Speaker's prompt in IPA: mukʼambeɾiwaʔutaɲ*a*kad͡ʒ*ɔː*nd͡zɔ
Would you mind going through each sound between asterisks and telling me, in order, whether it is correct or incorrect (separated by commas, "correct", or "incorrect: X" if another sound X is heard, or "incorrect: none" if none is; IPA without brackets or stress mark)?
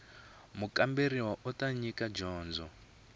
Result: incorrect: i, correct